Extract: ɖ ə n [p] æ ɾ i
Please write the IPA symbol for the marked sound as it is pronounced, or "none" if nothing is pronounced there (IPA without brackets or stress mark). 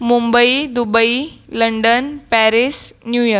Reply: p